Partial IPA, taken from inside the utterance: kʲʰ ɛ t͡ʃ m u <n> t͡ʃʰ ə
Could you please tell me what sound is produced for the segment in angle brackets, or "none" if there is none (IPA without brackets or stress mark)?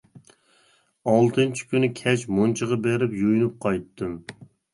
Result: n